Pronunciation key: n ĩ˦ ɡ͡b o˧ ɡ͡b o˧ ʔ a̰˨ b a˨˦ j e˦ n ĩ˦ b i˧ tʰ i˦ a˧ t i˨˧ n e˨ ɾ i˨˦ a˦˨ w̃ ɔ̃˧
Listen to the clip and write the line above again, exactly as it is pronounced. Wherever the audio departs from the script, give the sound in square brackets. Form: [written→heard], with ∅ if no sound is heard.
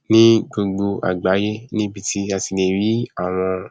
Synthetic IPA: n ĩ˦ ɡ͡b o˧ ɡ͡b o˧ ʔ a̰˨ [b→ɡ͡b] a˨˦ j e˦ n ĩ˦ b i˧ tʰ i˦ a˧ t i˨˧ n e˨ ɾ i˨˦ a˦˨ w̃ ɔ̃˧

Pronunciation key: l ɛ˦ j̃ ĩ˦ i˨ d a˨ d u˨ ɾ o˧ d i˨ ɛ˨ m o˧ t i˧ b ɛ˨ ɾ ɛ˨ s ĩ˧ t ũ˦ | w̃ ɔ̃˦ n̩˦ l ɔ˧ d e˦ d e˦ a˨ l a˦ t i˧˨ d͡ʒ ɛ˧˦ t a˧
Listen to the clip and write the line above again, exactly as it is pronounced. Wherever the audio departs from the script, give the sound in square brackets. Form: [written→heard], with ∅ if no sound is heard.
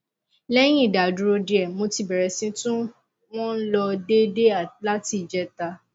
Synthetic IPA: l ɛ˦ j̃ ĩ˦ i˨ d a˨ d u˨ ɾ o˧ d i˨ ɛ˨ m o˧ t i˧ b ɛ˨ ɾ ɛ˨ s ĩ˧ t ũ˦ | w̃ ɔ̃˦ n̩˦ l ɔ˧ d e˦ d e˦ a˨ l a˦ t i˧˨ d͡ʒ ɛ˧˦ t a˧

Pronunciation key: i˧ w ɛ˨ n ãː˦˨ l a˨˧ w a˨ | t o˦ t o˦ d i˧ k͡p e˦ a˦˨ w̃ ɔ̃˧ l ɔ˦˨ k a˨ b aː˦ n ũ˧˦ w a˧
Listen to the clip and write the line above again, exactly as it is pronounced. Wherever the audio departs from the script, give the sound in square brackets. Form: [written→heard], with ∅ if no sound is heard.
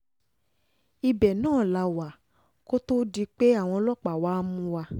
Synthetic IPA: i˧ [w→b] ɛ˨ n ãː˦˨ l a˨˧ w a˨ | [t→k] o˦ t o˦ d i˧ k͡p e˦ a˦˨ w̃ ɔ̃˧ l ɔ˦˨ [k→k͡p] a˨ [b→w] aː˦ [n→m] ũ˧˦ w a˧

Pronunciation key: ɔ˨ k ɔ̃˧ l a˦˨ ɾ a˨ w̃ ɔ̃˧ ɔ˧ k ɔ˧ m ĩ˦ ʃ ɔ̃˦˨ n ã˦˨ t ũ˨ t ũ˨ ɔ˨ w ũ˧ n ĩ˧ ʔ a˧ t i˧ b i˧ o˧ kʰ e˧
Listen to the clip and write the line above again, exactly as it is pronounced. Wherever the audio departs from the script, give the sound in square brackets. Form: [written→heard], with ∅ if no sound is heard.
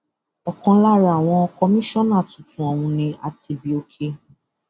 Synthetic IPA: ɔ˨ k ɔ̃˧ l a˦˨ ɾ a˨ w̃ ɔ̃˧ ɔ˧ k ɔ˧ m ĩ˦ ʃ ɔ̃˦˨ n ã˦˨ t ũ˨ t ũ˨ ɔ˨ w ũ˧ n ĩ˧ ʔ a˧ t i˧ b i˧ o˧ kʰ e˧

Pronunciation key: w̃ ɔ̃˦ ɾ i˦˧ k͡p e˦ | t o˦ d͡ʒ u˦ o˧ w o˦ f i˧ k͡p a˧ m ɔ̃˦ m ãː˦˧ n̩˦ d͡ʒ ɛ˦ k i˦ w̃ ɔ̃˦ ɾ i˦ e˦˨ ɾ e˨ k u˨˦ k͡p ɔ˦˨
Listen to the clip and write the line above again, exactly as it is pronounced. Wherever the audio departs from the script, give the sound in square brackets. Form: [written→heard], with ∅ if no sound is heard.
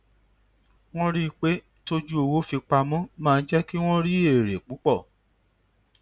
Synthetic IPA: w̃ ɔ̃˦ ɾ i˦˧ k͡p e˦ | t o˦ d͡ʒ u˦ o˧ w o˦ f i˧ k͡p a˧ m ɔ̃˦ m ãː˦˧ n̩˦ d͡ʒ ɛ˦ k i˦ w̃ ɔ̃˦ ɾ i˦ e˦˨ ɾ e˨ [k→k͡p] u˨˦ k͡p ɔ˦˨

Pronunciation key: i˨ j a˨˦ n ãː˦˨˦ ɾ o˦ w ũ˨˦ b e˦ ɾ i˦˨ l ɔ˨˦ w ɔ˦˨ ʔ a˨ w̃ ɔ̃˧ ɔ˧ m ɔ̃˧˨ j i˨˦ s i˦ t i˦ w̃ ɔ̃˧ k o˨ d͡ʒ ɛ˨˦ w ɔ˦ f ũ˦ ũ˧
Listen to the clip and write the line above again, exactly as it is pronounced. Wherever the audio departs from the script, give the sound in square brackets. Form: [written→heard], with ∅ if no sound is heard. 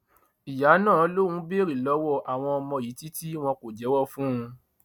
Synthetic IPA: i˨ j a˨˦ n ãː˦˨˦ [ɾ→l] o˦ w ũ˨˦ b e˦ ɾ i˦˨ l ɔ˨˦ w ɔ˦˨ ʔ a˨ w̃ ɔ̃˧ ɔ˧ m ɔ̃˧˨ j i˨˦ [s→t] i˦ t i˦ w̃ ɔ̃˧ k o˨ d͡ʒ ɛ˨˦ w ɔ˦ f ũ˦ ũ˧

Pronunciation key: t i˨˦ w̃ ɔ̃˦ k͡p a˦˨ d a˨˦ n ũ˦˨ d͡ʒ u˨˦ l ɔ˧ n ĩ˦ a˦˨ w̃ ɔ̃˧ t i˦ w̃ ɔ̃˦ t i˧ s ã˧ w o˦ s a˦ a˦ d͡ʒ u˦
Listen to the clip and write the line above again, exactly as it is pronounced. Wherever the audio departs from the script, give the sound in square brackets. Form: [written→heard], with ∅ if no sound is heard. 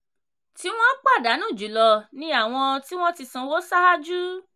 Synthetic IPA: t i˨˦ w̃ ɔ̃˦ k͡p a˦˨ d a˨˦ n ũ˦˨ d͡ʒ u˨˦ l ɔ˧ n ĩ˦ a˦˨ w̃ ɔ̃˧ t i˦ w̃ ɔ̃˦ t i˧ s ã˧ w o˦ s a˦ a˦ d͡ʒ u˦

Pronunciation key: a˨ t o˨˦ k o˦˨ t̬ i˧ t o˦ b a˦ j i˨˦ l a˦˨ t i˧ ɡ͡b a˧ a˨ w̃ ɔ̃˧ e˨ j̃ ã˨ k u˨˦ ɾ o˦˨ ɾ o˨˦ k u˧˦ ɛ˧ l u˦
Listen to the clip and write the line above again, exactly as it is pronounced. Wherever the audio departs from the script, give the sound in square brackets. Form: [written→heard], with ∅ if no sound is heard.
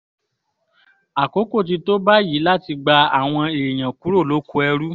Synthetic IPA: a˨ [t→k] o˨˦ k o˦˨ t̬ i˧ t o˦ b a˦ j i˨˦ l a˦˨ t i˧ ɡ͡b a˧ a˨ w̃ ɔ̃˧ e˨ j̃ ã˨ k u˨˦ ɾ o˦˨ [ɾ→l] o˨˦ k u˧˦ ɛ˧ [l→ɾ] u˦

